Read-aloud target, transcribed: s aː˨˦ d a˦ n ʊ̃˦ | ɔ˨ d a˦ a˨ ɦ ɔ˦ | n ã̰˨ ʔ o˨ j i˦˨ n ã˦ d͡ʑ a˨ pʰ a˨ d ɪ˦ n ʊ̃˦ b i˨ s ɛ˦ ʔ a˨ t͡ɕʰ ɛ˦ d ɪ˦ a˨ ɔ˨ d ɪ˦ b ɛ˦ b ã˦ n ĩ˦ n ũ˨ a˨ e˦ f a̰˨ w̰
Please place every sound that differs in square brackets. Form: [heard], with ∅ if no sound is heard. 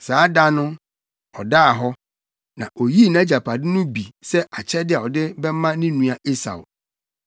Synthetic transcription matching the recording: s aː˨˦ d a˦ n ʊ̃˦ | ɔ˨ d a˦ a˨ ɦ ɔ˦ | n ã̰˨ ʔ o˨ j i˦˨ n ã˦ d͡ʑ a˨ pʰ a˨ d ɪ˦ n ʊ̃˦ b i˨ s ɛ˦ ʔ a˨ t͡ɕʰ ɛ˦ d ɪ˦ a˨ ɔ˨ d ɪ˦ b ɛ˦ [m] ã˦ n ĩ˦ n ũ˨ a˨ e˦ [s] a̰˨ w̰